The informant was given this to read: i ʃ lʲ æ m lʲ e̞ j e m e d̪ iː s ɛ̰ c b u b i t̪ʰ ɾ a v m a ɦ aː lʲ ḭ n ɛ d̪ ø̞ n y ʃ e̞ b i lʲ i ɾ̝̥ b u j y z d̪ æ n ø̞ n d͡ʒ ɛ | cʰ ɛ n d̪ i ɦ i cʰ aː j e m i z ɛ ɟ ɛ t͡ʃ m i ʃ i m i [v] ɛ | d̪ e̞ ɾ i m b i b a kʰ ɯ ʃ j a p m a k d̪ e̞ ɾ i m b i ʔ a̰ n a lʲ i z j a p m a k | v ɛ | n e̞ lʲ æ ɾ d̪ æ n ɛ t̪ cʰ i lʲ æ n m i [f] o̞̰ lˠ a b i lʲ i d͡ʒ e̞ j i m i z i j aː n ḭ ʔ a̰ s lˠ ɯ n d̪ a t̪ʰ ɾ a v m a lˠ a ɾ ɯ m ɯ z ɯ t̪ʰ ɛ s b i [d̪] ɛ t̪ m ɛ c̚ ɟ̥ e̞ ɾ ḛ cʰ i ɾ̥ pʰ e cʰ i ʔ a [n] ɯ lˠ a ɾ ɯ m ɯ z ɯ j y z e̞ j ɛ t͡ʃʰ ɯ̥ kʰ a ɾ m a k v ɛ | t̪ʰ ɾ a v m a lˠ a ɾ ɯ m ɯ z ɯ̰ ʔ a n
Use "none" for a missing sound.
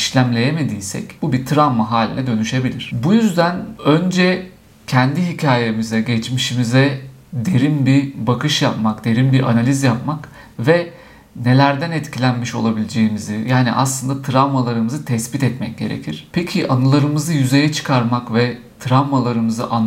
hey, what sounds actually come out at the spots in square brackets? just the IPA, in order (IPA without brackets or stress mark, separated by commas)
z, ʃ, t̪, n